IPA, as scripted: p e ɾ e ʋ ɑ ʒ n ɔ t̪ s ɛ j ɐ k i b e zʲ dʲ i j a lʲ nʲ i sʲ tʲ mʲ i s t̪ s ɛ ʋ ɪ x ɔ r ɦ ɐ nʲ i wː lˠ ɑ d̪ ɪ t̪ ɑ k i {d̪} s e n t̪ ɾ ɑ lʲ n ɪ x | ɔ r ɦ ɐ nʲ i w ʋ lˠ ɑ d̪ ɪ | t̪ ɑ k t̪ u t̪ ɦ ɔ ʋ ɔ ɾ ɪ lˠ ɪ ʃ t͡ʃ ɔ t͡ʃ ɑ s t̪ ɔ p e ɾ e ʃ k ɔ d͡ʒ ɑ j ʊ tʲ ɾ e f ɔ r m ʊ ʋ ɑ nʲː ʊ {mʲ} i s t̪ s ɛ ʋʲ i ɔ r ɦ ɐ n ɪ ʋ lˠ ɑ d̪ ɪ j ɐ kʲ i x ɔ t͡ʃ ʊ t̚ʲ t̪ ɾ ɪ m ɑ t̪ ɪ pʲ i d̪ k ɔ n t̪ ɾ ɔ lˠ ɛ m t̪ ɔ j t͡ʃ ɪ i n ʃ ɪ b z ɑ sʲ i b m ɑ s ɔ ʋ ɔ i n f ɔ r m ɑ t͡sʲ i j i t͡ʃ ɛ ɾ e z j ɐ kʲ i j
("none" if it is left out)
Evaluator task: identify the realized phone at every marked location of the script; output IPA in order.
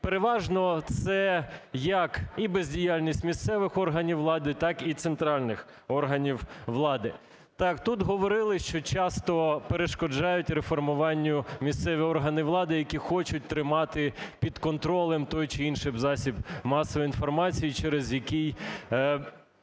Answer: t̪, mʲ

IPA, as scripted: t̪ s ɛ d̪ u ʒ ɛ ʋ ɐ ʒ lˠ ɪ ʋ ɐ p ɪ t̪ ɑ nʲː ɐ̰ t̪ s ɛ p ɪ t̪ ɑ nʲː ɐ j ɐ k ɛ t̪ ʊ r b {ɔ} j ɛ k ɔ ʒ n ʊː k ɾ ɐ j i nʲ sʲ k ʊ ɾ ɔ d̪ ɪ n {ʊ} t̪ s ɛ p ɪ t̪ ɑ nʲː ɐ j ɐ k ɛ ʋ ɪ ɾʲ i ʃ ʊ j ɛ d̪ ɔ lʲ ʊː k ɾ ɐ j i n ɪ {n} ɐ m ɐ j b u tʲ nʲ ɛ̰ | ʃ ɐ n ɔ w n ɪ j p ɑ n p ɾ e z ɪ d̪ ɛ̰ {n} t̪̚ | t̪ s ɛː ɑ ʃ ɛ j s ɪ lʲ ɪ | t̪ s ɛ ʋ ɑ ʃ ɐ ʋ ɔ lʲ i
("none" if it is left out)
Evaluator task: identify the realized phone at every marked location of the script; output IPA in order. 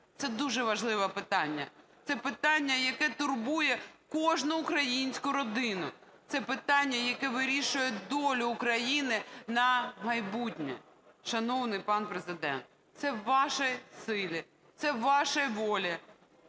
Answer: u, ʊ, n, n

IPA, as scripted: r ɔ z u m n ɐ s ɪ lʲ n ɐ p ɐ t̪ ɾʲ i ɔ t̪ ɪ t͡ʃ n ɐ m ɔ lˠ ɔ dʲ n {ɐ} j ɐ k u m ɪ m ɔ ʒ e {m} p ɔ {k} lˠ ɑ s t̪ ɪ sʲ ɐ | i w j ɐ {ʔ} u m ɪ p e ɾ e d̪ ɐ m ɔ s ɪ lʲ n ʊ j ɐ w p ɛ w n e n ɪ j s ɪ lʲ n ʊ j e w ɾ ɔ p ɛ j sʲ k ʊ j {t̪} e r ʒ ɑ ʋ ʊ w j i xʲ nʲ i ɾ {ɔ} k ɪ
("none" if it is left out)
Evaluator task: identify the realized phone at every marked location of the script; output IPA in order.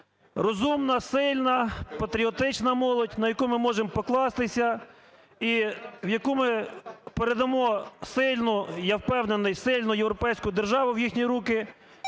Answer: ɐ, m, k, k, d̪, u

